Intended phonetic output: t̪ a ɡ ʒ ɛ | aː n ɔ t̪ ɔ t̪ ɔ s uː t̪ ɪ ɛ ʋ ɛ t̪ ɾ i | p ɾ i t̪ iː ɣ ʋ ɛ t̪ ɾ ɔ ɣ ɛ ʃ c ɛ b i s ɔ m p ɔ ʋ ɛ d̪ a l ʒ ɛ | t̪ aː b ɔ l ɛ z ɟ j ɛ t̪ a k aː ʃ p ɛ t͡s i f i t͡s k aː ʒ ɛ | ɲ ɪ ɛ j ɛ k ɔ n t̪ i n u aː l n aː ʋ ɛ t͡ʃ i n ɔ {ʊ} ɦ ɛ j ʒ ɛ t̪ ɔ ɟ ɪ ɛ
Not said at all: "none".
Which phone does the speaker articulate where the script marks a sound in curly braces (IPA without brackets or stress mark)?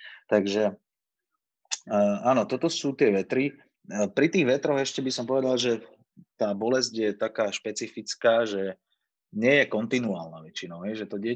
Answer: ʊ